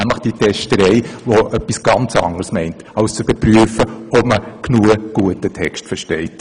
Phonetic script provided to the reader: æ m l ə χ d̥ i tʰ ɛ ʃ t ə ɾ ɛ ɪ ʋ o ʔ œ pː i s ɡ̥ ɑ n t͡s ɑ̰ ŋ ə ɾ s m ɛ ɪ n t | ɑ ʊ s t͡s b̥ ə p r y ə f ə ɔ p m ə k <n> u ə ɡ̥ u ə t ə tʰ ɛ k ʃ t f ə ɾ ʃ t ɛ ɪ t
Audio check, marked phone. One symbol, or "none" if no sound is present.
n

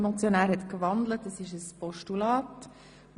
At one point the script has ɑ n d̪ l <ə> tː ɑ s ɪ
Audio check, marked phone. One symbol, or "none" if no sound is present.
ə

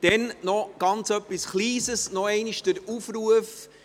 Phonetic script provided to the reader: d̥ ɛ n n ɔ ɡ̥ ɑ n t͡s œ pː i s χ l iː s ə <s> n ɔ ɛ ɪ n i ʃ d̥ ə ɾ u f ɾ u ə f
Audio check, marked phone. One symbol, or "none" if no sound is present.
s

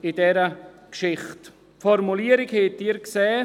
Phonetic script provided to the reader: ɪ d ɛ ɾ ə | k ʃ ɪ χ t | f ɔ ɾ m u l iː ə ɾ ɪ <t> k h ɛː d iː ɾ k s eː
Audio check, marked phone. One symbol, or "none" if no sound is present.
none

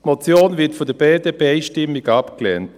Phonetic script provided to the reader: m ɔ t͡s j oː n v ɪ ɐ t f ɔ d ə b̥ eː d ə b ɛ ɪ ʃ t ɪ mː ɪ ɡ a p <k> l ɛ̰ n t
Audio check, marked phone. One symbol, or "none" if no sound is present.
k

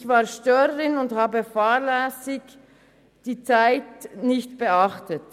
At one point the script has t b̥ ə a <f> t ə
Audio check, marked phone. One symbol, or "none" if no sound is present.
χ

